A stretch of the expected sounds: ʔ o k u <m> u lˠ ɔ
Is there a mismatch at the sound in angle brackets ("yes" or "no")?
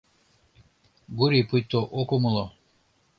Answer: no